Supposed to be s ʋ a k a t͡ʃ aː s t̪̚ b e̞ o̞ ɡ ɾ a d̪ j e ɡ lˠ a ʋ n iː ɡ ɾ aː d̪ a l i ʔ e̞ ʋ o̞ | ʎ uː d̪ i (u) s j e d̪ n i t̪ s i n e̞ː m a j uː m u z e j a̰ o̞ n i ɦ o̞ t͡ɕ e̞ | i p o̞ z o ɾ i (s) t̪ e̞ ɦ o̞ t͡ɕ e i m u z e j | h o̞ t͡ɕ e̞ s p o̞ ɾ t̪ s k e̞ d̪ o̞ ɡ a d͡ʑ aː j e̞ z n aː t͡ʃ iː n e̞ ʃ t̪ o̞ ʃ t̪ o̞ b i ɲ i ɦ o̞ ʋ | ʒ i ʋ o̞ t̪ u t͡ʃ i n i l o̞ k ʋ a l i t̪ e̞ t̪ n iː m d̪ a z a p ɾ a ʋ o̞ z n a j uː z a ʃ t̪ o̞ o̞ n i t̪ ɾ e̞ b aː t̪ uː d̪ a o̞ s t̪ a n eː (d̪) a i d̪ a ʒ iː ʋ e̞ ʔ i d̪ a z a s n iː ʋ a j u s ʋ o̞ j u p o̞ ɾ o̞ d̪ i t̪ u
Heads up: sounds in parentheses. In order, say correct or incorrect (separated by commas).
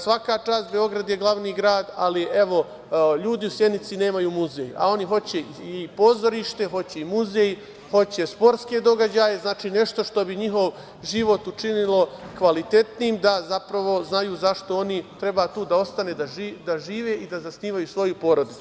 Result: correct, incorrect, correct